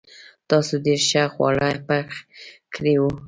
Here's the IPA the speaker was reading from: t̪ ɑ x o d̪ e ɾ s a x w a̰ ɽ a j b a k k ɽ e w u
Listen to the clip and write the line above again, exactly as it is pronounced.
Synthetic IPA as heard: t̪ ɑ s o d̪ e ɾ ʃ a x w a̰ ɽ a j p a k k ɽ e w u

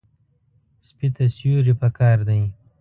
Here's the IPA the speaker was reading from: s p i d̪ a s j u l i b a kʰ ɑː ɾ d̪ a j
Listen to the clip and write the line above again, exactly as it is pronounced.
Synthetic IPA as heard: s p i t̪ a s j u ɾ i p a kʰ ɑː ɾ d̪ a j

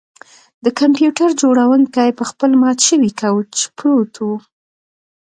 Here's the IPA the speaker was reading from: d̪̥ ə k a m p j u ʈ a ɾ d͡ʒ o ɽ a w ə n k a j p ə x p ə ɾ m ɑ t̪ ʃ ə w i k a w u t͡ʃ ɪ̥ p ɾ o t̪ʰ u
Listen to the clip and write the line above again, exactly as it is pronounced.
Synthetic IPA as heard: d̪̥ ə k a m p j u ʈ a ɾ d͡ʒ o ɽ a w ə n k a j p ə x p ə l m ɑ t̪ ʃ ə w i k a w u t͡ʃ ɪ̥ p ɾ o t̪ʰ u

